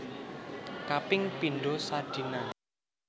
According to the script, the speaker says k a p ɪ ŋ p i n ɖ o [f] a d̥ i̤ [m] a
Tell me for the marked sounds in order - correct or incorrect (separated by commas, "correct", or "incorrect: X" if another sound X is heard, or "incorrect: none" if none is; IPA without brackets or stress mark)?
incorrect: s, incorrect: n